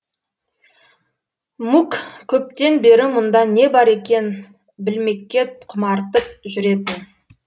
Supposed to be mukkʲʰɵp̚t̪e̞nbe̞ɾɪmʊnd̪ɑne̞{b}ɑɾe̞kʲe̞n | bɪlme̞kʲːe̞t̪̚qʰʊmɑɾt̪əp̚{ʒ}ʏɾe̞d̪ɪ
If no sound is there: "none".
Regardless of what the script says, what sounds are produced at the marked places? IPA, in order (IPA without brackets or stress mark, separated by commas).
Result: b, ʒ